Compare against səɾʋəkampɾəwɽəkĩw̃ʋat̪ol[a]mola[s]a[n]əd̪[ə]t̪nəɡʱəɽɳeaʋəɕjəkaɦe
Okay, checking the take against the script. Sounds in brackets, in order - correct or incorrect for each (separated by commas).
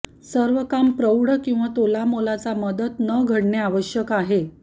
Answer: correct, incorrect, incorrect, correct